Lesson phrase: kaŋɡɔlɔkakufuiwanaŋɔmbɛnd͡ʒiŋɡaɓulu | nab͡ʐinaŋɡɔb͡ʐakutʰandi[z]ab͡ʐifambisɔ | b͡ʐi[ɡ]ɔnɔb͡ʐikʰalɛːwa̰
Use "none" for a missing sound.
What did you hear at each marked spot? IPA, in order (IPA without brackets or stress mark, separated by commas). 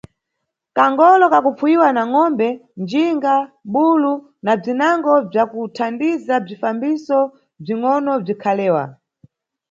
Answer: z, ŋ